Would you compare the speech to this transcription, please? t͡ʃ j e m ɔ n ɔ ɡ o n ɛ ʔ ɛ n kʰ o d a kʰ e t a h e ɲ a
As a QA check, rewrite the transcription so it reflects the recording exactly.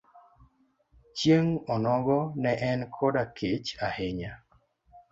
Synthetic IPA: t͡ʃ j e ŋ ɔ n ɔ ɡ ɔ n ɛ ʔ ɛ n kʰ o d a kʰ e t͡ʃ a h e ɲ a